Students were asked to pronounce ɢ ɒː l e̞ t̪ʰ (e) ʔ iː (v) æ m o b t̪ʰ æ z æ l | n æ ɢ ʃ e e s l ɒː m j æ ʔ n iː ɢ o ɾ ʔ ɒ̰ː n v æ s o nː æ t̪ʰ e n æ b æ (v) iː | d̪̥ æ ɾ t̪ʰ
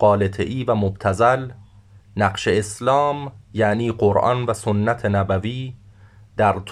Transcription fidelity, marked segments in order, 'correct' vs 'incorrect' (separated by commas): correct, correct, correct